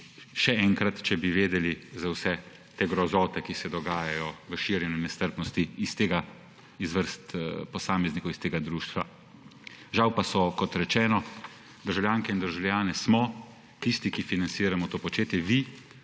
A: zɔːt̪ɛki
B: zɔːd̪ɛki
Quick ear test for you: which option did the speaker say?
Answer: A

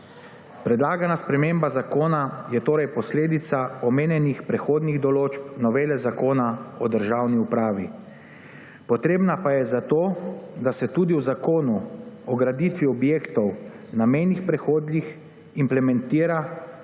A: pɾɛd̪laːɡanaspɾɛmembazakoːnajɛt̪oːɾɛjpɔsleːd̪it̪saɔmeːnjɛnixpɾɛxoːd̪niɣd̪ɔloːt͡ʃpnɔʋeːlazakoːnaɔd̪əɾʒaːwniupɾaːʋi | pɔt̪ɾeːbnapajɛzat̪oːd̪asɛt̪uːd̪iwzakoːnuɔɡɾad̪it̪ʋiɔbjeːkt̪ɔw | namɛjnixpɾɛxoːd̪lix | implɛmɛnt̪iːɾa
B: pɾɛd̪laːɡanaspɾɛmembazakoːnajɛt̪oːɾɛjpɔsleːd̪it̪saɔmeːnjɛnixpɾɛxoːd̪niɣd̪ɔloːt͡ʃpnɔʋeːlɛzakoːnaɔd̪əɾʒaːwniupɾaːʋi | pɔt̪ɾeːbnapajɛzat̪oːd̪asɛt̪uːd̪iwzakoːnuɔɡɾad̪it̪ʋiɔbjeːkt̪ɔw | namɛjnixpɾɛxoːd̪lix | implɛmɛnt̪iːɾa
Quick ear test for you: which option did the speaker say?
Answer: B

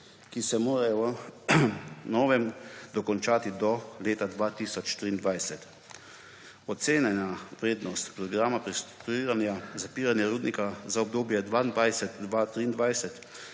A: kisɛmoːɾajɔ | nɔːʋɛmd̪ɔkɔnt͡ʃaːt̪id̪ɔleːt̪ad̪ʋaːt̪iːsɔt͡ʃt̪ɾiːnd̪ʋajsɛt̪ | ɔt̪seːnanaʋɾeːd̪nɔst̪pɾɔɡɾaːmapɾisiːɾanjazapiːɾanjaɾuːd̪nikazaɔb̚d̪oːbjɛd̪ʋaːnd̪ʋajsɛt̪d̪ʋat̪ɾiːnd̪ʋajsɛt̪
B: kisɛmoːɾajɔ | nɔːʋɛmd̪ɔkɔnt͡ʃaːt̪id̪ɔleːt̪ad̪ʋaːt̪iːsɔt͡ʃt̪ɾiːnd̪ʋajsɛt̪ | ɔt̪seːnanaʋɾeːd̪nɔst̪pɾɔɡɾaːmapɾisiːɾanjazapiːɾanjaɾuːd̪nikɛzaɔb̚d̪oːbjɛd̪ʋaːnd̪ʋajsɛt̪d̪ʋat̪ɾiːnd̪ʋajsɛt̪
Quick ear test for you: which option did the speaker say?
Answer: A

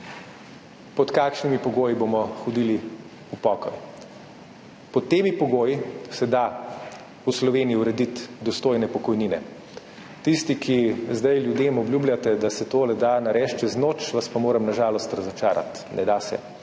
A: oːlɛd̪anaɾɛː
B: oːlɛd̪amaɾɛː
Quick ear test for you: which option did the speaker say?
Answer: A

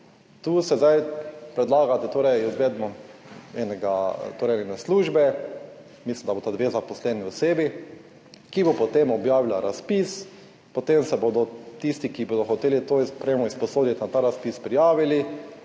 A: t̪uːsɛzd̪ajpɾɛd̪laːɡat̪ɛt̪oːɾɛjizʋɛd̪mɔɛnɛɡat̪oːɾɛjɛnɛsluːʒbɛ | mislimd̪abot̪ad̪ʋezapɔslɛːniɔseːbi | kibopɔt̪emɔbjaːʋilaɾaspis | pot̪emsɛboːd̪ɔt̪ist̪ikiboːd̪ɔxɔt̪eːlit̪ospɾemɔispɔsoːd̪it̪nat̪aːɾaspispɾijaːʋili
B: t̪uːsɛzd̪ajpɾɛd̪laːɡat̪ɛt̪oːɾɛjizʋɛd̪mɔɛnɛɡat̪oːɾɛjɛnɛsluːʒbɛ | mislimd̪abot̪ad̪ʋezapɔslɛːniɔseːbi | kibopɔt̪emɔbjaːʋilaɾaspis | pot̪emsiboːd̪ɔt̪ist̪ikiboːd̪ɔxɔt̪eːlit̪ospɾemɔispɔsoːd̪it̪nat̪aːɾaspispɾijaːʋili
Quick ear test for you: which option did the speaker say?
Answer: A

